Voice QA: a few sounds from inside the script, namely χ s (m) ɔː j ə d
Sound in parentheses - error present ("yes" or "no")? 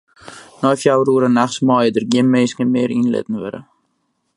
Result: no